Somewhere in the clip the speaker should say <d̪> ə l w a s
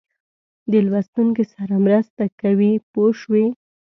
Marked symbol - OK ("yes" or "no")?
yes